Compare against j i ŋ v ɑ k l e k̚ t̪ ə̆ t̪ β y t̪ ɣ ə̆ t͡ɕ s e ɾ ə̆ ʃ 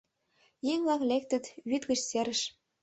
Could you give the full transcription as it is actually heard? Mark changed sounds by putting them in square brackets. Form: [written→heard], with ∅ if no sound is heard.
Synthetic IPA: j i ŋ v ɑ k l e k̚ t̪ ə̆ t̪ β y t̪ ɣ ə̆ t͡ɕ s e ɾ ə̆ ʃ